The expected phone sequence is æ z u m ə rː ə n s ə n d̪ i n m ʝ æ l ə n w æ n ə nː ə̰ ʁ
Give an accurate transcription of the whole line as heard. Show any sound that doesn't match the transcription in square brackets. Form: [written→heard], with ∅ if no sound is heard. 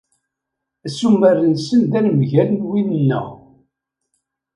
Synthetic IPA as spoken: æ [z→s] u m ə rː ə n s ə n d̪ [i→æ] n m ʝ æ l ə n w [æ→i] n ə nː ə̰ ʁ